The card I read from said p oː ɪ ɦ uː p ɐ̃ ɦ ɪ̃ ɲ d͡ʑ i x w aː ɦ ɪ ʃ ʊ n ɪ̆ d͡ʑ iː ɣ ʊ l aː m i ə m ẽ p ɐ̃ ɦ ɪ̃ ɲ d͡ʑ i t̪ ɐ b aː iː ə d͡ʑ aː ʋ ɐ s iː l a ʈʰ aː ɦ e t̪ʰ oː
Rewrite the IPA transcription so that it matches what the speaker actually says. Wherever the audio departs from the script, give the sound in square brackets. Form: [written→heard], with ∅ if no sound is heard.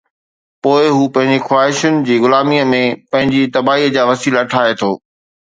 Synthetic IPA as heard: p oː ɪ ɦ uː p ɐ̃ ɦ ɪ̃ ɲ d͡ʑ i x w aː ɦ ɪ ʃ ʊ n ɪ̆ d͡ʑ iː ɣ ʊ l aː m i ə m ẽ p ɐ̃ ɦ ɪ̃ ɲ d͡ʑ i t̪ ɐ b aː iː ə d͡ʑ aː ʋ ɐ s iː l a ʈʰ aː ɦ e t̪ʰ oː

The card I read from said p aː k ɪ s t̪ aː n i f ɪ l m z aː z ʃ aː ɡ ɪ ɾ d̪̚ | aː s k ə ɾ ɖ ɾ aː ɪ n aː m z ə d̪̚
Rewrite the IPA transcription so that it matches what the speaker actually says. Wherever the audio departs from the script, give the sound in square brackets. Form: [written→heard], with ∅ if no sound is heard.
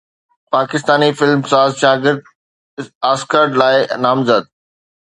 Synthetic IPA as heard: p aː k ɪ s t̪ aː n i f ɪ l m [z→s] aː z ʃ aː ɡ ɪ ɾ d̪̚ | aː s k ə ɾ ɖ [ɾ→l] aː ɪ n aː m z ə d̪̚

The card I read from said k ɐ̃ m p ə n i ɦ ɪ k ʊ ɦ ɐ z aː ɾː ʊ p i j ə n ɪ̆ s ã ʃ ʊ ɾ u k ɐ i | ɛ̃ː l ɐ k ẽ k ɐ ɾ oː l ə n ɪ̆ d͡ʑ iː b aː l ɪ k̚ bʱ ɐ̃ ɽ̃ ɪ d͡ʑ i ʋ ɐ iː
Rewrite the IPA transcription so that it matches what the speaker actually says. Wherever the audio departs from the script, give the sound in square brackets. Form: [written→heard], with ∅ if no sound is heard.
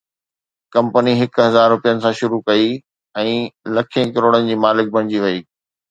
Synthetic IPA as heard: k ɐ̃ m p ə n i ɦ ɪ k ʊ ɦ ɐ z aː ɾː ʊ p i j ə n ɪ̆ s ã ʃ ʊ ɾ u k ɐ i | ɛ̃ː l ɐ [k→kʰ] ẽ k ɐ ɾ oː [l→ɽ] ə n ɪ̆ d͡ʑ iː [b→m] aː l ɪ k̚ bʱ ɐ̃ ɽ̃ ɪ d͡ʑ i ʋ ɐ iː

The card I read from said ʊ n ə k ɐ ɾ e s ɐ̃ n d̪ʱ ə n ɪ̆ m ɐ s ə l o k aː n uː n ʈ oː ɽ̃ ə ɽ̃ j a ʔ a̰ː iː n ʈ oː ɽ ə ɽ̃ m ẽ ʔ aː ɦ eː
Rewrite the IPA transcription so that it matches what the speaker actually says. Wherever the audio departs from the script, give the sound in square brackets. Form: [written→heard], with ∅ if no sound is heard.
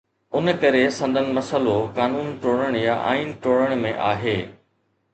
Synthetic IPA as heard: ʊ n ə k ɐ ɾ e s ɐ̃ n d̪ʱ ə n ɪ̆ m ɐ s ə l o k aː n uː n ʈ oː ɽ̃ ə ɽ̃ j a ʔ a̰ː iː n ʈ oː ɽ ə ɽ̃ m ẽ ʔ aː ɦ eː

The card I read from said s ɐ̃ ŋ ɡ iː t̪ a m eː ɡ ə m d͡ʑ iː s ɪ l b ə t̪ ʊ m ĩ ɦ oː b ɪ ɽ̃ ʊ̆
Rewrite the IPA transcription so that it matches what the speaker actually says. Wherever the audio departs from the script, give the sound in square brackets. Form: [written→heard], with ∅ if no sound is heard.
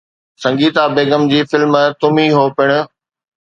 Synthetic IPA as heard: s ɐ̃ ŋ ɡ iː t̪ a [m→b] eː ɡ ə m d͡ʑ iː [s→f] ɪ l [b→m] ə t̪ ʊ m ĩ ɦ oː [b→p] ɪ ɽ̃ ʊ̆

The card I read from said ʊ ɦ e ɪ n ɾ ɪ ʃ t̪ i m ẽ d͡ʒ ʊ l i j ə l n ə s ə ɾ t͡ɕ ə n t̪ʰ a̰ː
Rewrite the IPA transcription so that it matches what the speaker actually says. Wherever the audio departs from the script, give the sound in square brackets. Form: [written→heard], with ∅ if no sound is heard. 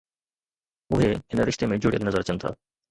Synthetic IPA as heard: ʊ ɦ e ɪ n ɾ ɪ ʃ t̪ [i→e] m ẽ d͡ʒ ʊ [l→ɽ] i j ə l n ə [s→z] ə ɾ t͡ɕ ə n t̪ʰ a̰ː

